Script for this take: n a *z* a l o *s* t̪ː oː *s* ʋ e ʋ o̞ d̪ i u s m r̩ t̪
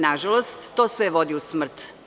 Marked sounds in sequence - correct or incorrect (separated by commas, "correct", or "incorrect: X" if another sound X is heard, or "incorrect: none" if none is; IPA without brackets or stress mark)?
incorrect: ʒ, correct, correct